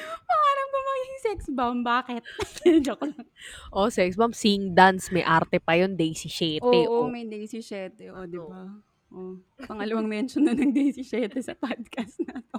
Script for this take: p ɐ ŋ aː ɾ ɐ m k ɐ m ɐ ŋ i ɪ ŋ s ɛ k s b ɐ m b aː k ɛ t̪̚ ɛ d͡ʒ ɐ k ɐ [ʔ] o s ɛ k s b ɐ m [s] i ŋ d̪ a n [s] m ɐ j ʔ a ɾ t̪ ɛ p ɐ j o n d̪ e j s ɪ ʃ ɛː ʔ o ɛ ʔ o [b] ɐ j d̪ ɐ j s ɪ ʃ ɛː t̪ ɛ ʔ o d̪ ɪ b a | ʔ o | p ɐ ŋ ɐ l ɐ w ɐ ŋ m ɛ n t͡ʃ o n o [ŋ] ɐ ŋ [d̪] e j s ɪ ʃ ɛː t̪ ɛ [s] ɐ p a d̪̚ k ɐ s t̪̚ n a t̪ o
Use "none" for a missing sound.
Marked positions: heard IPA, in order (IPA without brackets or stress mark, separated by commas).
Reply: ʔ, s, s, m, n, d̪, s